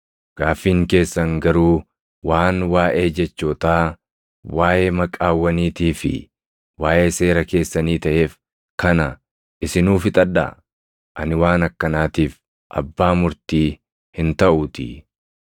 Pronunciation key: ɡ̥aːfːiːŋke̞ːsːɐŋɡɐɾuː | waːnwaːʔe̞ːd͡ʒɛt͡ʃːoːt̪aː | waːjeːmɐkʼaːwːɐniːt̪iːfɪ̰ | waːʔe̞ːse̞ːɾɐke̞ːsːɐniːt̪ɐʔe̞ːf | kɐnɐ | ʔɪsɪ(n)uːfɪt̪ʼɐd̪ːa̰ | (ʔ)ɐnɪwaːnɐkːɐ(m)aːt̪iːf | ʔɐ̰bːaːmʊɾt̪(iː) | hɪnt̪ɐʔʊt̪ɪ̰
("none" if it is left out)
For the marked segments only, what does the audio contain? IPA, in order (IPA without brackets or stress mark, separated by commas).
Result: n, ʔ, n, iː